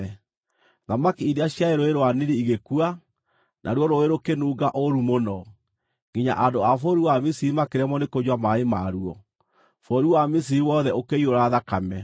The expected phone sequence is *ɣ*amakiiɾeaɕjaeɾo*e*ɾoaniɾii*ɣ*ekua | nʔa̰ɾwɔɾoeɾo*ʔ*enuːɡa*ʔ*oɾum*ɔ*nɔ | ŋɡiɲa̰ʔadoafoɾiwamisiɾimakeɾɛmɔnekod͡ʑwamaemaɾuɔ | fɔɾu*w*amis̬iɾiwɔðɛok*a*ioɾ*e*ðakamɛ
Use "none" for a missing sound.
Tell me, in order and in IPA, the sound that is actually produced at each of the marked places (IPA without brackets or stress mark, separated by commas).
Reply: ð, e, ɣ, k, ʔ, o, w, e, a